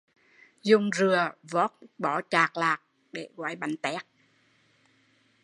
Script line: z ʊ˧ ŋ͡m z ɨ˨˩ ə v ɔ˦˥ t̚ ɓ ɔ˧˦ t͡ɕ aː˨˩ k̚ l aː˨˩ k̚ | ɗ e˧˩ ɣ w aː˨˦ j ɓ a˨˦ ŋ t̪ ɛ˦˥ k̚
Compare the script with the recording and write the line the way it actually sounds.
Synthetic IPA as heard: z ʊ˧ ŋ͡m z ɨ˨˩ ə v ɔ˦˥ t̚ ɓ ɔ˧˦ t͡ɕ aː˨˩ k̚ l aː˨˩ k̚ | ɗ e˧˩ ɣ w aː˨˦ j ɓ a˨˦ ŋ t̪ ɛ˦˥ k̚